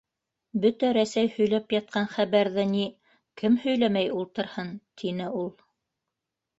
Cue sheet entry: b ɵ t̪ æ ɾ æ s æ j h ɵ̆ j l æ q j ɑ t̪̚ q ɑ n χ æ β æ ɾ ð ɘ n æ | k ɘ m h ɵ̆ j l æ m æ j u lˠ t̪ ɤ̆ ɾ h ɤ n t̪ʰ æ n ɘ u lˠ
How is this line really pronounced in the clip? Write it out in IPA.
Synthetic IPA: b ɵ t̪ æ ɾ æ s æ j h ɵ̆ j l æ p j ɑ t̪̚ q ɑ n χ æ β æ ɾ ð ɘ n i | k ɘ m h ɵ̆ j l æ m æ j u lˠ t̪ ɤ̆ ɾ h ɤ n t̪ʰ i n ɘ u lˠ